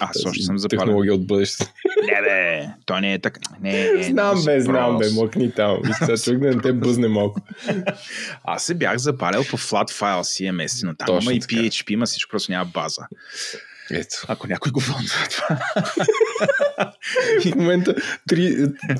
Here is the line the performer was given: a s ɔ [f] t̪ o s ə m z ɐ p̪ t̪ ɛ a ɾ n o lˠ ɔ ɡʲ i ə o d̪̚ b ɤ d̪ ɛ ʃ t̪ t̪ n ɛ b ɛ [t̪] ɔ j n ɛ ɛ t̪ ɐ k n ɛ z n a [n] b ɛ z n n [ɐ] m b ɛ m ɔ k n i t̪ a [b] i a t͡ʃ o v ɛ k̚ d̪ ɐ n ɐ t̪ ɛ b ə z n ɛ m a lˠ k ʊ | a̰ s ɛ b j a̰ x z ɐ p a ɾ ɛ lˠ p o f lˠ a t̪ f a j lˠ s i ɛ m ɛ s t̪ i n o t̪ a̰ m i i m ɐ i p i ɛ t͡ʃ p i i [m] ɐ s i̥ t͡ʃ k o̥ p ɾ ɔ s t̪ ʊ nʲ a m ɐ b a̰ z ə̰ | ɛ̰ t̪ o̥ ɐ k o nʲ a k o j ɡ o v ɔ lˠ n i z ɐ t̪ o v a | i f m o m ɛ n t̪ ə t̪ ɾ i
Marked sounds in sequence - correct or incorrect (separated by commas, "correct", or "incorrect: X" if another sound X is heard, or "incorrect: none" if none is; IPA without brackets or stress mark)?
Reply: incorrect: ʃ, correct, incorrect: m, incorrect: a, incorrect: m, correct